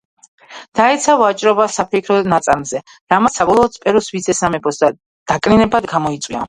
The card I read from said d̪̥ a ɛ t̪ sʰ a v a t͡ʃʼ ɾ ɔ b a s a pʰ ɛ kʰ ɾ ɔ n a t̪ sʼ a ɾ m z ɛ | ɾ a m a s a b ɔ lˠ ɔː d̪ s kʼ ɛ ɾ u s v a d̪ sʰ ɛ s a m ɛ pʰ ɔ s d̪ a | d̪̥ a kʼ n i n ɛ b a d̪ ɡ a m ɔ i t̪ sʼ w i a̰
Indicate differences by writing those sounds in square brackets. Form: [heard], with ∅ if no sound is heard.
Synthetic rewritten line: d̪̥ a ɛ t̪ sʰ a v a t͡ʃʼ ɾ ɔ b a s a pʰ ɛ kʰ ɾ ɔ n a t̪ sʼ a ɾ m z ɛ | ɾ a m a s a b ɔ lˠ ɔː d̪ s [pʼ] ɛ ɾ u s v [i] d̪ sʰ ɛ s a m ɛ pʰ ɔ s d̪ a | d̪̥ a kʼ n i n ɛ b a d̪ ɡ a m ɔ i t̪ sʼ w i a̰